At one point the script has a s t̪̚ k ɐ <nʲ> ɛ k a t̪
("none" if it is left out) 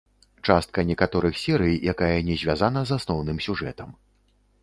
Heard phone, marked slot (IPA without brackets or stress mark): nʲ